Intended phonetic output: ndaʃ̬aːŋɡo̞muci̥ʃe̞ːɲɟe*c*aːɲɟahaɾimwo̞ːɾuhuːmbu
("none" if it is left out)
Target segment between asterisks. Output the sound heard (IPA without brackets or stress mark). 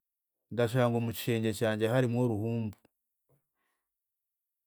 c